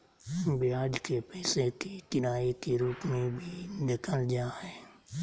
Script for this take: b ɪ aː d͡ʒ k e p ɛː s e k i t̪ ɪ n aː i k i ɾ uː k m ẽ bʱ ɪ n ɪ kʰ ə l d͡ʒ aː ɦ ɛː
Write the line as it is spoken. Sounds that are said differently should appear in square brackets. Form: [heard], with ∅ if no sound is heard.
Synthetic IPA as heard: b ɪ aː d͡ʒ k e p ɛː s e k i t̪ ɪ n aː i k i ɾ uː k m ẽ bʱ [i] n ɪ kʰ ə l d͡ʒ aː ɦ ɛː